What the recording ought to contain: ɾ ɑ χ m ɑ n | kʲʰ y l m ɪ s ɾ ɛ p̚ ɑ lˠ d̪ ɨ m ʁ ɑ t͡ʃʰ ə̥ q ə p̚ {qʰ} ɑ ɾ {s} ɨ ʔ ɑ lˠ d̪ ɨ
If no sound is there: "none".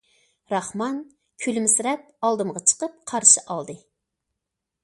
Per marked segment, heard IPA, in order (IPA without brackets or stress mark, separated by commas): qʰ, ʃ